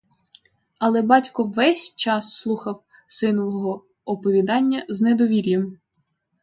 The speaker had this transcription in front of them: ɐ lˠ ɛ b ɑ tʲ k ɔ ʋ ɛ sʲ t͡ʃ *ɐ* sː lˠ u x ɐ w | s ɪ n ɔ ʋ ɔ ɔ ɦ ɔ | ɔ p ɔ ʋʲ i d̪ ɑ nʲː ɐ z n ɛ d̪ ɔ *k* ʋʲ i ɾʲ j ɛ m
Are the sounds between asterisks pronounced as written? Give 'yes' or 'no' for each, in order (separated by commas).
no, no